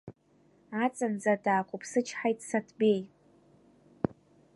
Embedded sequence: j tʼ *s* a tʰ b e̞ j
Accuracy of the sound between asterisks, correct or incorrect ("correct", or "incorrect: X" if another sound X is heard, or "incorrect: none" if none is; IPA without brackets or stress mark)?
correct